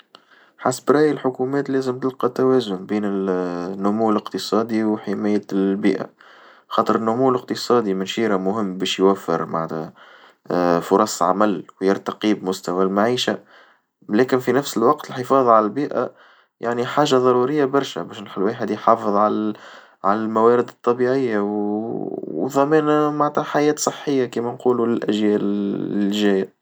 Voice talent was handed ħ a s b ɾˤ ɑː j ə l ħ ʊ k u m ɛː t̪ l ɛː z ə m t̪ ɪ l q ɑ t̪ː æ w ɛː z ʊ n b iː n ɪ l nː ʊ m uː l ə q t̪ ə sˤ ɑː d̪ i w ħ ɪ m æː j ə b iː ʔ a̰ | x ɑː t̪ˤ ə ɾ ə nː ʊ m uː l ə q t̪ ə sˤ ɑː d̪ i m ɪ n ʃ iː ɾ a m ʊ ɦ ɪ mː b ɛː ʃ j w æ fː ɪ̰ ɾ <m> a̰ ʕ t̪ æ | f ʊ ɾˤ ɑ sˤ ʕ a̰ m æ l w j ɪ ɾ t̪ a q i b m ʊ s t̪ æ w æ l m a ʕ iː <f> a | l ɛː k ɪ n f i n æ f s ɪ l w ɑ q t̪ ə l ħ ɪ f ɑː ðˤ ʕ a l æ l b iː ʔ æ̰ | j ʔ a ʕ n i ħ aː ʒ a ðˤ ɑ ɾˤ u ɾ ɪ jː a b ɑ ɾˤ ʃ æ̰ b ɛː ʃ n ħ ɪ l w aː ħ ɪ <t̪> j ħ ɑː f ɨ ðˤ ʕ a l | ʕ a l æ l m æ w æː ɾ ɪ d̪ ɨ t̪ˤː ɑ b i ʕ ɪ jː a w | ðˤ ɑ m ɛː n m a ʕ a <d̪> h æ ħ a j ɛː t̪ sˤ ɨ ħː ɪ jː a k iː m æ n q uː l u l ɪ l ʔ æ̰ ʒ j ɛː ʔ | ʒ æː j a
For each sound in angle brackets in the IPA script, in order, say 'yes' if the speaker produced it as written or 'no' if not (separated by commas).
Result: yes, no, no, no